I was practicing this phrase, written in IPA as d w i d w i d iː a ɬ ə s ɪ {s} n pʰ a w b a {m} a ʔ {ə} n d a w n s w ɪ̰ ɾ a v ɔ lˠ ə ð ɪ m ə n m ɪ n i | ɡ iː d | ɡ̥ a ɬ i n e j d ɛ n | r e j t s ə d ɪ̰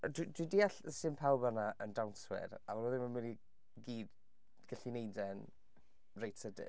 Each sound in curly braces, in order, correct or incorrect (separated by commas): incorrect, incorrect, correct